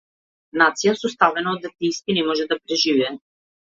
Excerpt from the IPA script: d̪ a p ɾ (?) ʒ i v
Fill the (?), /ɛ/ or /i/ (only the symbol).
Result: ɛ